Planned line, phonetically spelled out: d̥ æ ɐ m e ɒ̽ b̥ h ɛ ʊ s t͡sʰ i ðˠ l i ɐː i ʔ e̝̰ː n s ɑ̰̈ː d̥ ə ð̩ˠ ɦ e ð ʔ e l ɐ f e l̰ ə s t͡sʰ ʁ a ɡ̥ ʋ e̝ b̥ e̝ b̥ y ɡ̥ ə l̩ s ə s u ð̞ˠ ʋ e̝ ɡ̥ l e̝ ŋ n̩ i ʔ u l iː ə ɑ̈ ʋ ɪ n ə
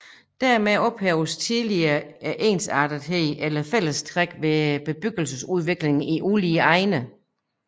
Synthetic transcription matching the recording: d̥ æ ɐ m e ɒ̽ b̥ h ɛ ʊ s t͡sʰ i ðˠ l i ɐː æ ʔ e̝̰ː n s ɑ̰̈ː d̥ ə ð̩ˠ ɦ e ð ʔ e l ɐ f e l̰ ə s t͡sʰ ʁ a ɡ̥ ʋ e̝ b̥ e̝ b̥ y ɡ̥ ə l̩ s ə s u ð̞ˠ ʋ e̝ ɡ̥ l e̝ ŋ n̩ i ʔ u l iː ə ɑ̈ ɪ n ə